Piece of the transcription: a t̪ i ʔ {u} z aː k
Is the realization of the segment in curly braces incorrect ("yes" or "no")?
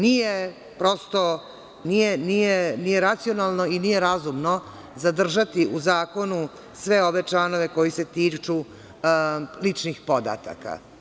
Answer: no